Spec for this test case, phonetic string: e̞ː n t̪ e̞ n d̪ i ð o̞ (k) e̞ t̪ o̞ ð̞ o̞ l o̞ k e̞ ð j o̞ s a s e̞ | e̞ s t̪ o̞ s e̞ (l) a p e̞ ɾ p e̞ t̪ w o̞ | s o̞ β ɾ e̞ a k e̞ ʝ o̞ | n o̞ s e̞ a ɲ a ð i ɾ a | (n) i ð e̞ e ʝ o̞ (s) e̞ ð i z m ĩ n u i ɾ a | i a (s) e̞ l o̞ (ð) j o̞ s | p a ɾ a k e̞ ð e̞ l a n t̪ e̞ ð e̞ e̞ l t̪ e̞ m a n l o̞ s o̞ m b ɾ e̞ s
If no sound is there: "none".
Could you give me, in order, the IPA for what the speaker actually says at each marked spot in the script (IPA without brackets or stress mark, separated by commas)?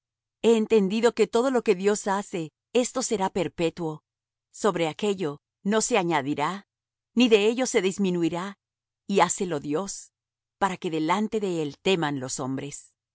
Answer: k, ɾ, n, s, s, ð